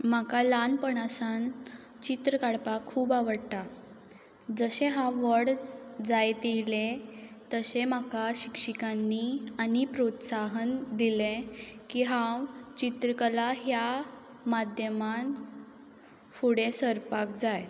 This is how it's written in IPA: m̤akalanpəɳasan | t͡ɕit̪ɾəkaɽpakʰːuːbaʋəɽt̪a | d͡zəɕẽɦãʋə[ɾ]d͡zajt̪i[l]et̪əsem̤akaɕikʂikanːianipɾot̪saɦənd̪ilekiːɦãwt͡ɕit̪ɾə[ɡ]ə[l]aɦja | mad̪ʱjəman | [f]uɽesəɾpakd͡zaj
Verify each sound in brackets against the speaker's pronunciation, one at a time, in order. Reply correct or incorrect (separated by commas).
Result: incorrect, correct, incorrect, correct, correct